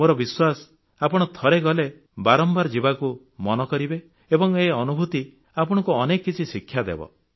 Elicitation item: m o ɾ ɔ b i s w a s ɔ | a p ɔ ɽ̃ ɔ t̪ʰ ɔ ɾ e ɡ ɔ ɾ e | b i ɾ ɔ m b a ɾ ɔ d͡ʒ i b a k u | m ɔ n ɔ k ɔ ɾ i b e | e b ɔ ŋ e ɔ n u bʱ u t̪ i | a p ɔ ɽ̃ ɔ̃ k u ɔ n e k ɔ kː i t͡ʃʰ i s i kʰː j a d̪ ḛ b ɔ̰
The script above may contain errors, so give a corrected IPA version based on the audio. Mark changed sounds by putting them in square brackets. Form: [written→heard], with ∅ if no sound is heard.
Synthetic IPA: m o ɾ ɔ b i s w a s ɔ | a p ɔ ɽ̃ ɔ t̪ʰ ɔ ɾ e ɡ ɔ [ɾ→l] e | b [i→a] ɾ ɔ m b a ɾ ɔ d͡ʒ i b a k u | m ɔ n ɔ k ɔ ɾ i b e | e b ɔ ŋ e ɔ n u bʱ u t̪ i | a p ɔ ɽ̃ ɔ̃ k u ɔ n e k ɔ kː i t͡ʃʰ i s i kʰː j a d̪ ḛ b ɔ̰